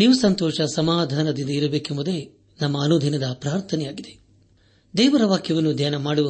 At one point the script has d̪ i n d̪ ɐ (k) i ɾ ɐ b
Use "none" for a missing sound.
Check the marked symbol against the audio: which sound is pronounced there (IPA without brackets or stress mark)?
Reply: none